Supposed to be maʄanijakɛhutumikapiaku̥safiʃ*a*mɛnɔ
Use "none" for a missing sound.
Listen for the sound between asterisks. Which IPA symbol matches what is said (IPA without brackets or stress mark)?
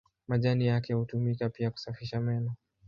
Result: a